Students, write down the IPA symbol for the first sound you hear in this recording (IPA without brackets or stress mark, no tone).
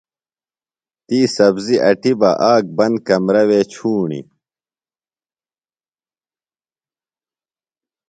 t̪